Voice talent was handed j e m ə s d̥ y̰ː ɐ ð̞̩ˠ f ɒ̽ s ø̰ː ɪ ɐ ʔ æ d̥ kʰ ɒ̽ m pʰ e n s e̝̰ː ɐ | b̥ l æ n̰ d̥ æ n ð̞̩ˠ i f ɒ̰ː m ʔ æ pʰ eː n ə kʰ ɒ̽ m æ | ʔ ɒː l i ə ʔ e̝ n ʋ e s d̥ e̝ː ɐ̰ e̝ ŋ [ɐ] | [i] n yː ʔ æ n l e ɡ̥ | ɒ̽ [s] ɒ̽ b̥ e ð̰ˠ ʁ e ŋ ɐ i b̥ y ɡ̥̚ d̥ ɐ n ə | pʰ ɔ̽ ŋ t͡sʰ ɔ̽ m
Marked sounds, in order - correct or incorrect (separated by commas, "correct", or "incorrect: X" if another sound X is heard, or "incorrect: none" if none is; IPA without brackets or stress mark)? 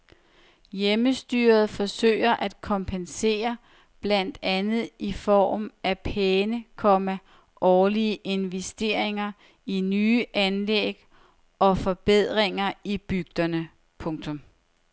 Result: correct, correct, incorrect: f